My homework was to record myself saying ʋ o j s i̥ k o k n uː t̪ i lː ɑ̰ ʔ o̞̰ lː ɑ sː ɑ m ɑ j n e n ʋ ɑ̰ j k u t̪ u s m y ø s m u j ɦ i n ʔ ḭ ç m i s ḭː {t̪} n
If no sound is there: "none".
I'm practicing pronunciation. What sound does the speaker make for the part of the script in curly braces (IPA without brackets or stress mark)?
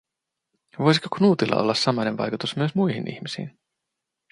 none